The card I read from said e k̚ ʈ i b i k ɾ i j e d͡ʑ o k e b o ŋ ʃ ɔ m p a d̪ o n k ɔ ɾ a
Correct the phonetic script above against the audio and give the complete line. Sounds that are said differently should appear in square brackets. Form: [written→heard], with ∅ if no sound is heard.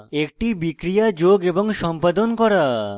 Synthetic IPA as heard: e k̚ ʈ i b i k ɾ i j [e→a] d͡ʑ o [k→ɡ] e b o ŋ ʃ ɔ m p a d̪ o n k ɔ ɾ a